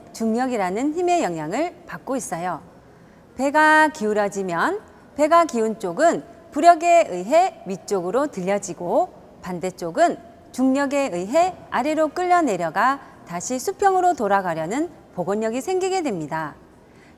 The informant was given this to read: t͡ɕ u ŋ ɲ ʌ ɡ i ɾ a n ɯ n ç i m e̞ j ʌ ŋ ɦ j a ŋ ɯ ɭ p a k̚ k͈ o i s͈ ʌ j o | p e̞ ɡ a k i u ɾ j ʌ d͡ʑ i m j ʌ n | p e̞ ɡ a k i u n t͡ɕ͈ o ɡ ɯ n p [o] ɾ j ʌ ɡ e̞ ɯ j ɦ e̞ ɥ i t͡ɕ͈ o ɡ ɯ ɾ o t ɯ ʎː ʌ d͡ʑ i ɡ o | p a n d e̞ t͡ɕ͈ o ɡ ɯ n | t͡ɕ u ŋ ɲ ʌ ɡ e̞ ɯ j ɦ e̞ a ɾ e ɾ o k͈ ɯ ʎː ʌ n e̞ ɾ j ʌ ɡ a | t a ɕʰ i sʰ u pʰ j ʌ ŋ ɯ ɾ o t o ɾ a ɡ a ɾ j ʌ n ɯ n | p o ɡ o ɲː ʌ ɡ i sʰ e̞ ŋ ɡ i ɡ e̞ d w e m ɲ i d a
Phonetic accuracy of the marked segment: incorrect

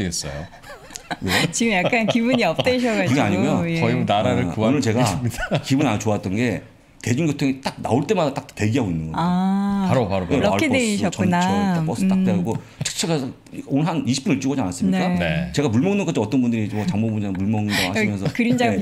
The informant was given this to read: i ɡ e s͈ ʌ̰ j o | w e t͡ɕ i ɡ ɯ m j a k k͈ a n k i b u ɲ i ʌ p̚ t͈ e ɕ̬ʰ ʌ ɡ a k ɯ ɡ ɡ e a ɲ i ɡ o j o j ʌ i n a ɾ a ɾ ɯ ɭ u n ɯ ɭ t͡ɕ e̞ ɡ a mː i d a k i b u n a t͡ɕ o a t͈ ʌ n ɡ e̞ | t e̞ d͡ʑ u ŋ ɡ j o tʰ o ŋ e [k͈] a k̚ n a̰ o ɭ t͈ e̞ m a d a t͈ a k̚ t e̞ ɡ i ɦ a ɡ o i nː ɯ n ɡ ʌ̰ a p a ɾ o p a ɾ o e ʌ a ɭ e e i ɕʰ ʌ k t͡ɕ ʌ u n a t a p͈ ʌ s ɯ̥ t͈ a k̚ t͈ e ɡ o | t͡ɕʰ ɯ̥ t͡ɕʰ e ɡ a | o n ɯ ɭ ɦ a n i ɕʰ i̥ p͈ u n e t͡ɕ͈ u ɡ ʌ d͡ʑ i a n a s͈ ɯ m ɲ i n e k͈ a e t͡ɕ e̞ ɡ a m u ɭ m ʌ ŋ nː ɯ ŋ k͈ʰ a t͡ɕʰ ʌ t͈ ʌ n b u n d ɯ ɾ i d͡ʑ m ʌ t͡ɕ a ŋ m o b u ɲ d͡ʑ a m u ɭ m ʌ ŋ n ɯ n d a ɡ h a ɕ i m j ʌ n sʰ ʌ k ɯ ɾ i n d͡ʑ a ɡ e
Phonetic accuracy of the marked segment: incorrect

